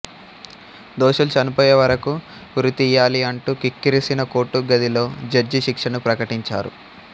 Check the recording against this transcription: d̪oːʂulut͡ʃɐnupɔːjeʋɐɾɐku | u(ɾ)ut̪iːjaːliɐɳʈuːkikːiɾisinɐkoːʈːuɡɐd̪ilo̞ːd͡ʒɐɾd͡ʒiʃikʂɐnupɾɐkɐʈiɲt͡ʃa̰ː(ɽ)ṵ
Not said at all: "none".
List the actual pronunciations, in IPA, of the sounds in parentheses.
ɾ, ɾ

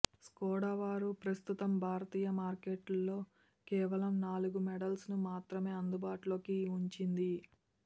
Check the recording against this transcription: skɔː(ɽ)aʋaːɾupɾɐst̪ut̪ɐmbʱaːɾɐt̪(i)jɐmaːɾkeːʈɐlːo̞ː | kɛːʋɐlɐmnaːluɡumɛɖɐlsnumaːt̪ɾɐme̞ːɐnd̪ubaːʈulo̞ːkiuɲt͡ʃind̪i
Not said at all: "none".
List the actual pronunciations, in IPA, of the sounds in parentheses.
ɽ, iː

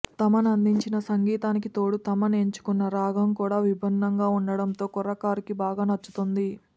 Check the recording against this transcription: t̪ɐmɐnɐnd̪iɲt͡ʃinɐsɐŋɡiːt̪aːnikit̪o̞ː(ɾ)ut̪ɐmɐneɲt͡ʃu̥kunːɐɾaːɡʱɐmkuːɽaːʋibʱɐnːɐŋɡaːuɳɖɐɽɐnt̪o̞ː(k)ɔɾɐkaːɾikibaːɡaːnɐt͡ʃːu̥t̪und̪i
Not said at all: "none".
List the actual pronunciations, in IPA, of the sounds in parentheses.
ɽ, k

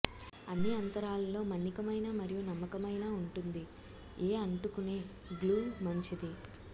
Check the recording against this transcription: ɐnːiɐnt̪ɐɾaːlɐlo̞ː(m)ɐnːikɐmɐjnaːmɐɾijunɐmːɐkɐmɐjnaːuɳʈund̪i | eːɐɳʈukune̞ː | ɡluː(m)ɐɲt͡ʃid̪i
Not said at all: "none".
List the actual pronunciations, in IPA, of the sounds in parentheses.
m, m

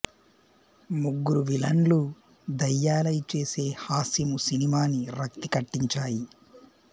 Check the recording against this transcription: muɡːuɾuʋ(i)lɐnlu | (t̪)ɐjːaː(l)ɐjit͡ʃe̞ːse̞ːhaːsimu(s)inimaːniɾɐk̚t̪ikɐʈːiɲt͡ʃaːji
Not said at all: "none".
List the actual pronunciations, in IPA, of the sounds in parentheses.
i, d̪, l, s

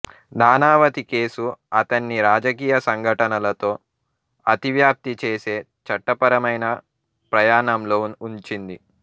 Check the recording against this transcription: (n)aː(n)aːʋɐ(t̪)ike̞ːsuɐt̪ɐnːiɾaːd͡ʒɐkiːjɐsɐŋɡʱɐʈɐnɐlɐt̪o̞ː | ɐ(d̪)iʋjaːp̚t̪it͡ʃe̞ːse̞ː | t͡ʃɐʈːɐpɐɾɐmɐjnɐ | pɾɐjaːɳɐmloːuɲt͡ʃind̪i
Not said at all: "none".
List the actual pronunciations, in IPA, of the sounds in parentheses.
n, n, t̪, t̪

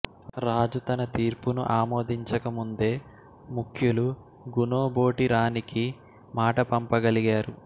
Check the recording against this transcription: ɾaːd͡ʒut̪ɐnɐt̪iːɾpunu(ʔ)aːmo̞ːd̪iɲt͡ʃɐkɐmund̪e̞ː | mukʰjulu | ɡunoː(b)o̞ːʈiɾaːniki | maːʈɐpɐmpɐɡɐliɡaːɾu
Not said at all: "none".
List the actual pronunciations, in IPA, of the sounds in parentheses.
ʔ, b

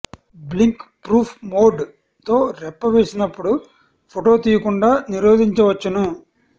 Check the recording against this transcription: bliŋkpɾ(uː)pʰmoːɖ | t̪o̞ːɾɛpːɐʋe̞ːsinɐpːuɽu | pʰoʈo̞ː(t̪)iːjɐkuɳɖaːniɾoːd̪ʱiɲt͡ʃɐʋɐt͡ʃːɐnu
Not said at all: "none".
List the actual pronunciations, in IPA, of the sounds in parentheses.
uː, t̪

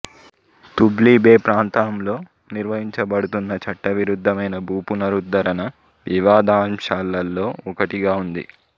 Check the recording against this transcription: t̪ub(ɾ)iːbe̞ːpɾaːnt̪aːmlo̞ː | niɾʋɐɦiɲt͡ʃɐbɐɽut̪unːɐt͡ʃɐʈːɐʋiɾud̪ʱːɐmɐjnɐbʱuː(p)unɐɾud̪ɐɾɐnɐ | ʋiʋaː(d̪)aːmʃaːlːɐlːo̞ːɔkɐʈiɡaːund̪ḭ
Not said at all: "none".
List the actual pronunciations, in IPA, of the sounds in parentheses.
l, p, d̪

